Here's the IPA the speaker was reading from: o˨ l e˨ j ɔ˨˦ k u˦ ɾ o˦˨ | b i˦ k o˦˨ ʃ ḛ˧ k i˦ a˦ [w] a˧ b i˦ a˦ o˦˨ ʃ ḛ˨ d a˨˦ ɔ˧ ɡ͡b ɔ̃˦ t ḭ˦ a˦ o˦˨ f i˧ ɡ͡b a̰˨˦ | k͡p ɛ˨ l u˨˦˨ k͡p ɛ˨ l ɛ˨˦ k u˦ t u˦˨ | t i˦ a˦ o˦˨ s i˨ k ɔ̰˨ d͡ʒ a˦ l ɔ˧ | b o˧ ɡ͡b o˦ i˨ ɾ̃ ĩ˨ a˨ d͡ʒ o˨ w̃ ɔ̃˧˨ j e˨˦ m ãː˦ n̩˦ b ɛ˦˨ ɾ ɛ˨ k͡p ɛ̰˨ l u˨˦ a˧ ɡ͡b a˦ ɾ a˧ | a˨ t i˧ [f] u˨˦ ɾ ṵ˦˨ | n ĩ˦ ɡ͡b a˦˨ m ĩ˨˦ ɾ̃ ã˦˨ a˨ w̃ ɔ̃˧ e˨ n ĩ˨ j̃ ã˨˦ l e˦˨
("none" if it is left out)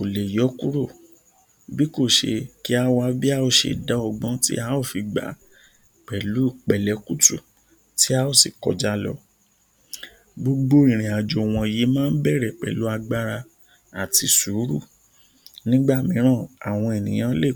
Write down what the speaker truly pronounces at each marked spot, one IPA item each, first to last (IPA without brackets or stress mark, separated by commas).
w, s